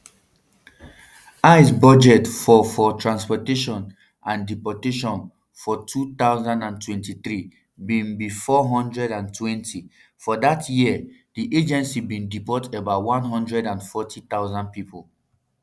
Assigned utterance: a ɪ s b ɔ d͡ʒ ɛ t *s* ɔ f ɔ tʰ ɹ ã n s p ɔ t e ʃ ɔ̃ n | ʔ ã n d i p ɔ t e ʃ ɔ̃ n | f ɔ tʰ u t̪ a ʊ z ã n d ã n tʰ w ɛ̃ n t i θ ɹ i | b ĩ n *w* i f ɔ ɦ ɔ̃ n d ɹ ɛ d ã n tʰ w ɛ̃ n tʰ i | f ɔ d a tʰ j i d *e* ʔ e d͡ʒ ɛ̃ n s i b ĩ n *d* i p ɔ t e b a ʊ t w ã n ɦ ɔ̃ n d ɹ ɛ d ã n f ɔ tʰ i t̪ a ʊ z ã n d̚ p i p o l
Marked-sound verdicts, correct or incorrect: incorrect, incorrect, incorrect, correct

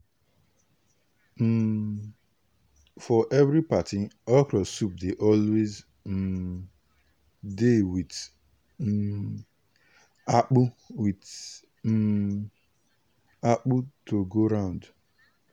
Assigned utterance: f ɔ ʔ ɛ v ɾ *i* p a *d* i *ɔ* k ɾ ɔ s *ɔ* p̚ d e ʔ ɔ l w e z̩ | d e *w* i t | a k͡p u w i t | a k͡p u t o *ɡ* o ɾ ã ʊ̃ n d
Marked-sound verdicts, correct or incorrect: correct, incorrect, correct, incorrect, correct, correct

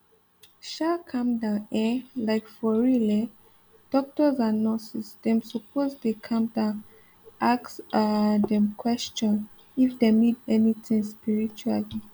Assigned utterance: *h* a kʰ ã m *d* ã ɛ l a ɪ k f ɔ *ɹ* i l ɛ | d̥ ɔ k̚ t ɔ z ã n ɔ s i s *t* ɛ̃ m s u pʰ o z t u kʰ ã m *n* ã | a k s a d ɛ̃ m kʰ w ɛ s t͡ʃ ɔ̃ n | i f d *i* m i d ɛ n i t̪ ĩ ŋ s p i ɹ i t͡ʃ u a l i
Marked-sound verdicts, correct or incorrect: incorrect, correct, correct, incorrect, incorrect, incorrect

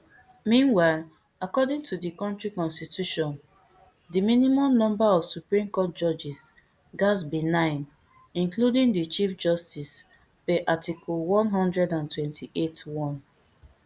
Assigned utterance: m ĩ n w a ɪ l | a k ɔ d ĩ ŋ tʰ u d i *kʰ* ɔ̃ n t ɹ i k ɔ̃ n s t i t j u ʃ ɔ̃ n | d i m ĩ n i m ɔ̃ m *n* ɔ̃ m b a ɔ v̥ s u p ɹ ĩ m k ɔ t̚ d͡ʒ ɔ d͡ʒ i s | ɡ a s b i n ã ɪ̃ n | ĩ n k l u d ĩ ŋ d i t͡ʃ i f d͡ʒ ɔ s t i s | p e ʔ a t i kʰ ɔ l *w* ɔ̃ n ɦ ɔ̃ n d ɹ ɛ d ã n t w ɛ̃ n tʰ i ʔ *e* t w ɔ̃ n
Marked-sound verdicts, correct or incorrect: incorrect, correct, correct, correct

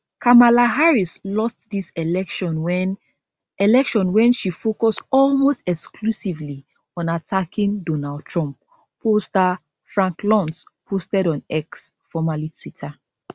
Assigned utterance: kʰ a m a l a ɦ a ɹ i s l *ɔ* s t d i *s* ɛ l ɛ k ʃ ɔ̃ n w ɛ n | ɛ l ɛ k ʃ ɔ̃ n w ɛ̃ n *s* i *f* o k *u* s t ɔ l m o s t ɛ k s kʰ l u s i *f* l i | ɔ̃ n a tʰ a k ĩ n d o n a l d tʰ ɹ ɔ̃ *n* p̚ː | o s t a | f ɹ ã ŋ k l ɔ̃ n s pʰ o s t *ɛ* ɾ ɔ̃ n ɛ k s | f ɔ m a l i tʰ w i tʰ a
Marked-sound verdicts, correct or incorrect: correct, correct, incorrect, correct, incorrect, incorrect, incorrect, correct

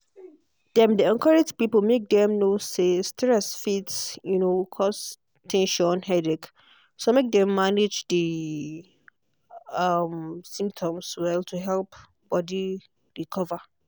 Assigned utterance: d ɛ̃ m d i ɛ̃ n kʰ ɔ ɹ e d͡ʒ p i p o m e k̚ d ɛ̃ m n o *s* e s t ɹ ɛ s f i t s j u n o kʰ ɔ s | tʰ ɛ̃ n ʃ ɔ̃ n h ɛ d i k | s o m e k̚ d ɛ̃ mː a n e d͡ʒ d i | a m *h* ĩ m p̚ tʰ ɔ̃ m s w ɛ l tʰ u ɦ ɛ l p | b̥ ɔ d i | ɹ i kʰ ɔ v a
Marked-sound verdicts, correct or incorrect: correct, incorrect

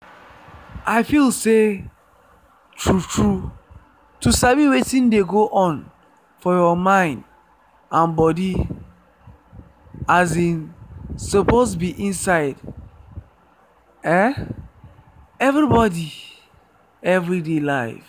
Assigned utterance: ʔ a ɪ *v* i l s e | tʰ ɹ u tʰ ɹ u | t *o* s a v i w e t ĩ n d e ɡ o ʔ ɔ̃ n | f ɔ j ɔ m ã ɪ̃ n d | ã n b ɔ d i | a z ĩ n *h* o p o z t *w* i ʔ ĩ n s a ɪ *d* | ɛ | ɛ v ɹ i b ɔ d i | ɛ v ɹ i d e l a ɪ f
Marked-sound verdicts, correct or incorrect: incorrect, incorrect, incorrect, incorrect, correct

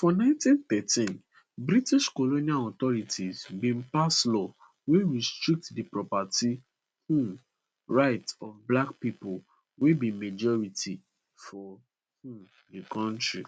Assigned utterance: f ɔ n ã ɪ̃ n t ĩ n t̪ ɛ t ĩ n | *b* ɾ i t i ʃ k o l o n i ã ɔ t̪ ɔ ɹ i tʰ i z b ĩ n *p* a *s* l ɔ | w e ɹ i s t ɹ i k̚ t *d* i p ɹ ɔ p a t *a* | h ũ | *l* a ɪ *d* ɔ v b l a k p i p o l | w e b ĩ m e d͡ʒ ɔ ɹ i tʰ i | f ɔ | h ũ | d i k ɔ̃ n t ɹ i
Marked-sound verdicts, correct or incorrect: correct, correct, correct, correct, incorrect, incorrect, incorrect

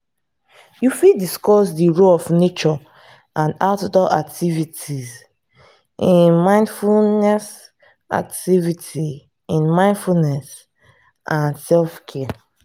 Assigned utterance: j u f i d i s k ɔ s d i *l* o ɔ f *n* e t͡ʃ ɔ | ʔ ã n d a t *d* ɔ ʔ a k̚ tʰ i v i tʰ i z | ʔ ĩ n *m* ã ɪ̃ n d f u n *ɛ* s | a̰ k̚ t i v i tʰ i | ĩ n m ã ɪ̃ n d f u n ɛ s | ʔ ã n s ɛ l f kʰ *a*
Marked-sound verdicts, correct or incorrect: incorrect, correct, correct, correct, correct, incorrect

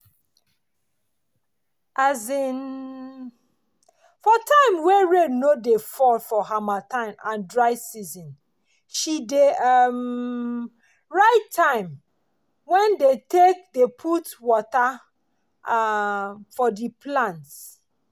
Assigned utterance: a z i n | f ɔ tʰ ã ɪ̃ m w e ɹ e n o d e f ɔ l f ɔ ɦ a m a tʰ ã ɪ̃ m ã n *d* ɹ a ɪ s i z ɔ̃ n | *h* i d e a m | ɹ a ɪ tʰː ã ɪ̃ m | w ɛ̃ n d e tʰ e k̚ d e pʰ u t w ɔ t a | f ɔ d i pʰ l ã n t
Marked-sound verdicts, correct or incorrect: correct, incorrect

